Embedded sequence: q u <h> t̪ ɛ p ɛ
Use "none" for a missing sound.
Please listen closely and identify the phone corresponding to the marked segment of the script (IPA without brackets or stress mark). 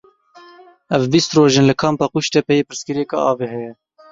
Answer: ʃ